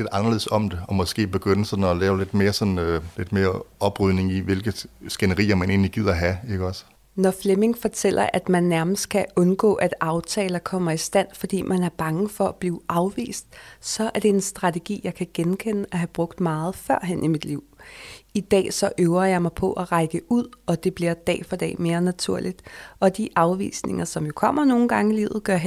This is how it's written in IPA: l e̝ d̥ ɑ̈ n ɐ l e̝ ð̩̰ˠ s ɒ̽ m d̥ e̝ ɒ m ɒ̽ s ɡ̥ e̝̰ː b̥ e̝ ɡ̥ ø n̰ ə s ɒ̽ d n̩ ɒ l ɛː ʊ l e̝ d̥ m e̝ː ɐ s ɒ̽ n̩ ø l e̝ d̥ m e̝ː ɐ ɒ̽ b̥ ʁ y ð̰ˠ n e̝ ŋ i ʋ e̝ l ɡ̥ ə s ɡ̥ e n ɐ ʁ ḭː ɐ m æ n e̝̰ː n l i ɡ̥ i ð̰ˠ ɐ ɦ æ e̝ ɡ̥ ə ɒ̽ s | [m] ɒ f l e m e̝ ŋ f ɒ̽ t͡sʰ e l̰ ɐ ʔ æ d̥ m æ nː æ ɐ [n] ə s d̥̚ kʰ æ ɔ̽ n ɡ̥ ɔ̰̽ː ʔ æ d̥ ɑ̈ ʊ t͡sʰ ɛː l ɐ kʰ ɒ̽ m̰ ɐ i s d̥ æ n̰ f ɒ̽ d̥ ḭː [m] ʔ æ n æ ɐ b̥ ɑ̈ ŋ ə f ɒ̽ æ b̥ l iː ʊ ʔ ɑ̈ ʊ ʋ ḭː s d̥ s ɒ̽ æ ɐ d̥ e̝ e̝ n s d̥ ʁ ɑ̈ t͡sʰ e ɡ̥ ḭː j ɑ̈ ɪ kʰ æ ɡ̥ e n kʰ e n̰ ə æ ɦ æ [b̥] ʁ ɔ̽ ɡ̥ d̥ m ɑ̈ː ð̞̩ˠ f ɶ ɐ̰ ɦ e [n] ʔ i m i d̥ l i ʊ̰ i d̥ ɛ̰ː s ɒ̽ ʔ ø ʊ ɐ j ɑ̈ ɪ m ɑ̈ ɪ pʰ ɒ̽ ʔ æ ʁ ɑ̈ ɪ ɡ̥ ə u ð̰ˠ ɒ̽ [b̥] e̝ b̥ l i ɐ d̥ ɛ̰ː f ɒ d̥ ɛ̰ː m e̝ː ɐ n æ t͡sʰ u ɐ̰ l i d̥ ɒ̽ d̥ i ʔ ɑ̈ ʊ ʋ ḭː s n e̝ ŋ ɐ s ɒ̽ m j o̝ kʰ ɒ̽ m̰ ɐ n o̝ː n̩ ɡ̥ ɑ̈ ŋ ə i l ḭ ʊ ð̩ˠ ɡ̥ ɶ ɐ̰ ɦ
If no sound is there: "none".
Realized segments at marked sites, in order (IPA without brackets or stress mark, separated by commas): n, m, m, b̥, n, d̥